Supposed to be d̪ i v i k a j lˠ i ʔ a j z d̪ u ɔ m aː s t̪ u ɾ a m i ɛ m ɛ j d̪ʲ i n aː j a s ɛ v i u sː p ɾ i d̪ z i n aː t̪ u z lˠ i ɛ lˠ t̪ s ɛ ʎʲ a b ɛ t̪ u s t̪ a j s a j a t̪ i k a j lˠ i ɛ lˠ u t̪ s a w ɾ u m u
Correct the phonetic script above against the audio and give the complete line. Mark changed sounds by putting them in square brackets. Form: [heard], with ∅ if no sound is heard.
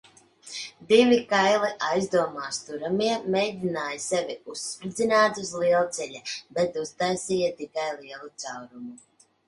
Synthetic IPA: d̪ i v i k a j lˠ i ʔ a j z d̪ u ɔ m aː s t̪ u ɾ a m i ɛ m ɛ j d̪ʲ i n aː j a s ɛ v i u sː p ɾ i d̪ z i n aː t̪ u z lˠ i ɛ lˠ t̪ s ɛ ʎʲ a b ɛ t̪ u s t̪ a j s [i] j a t̪ i k a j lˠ i ɛ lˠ u t̪ s a w ɾ u m u